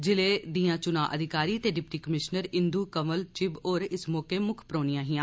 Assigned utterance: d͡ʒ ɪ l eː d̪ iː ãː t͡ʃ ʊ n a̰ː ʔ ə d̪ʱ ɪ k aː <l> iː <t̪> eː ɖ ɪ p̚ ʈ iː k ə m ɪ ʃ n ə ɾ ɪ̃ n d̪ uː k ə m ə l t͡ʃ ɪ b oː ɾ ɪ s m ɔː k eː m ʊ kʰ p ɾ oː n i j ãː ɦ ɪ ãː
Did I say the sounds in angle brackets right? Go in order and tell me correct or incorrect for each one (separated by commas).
incorrect, correct